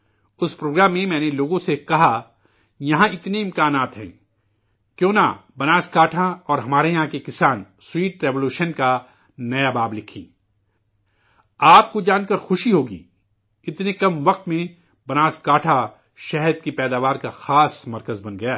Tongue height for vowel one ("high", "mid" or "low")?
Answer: high